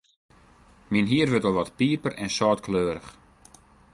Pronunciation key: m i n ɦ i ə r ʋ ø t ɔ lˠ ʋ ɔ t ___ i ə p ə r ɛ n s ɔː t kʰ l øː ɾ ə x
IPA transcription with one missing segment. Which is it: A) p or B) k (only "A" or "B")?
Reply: A